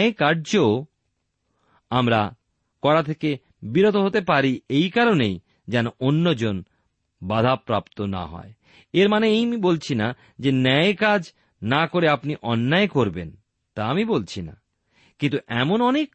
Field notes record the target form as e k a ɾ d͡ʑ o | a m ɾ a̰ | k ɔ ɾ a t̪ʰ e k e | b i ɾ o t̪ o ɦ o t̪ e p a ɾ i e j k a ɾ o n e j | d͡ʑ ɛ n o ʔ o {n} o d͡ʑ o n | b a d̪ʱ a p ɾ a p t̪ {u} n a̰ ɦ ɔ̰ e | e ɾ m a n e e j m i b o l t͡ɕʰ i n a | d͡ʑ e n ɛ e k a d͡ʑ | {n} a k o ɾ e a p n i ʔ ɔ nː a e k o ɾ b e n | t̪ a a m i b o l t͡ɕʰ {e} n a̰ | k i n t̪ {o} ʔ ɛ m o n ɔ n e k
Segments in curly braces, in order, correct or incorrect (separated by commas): incorrect, incorrect, correct, incorrect, incorrect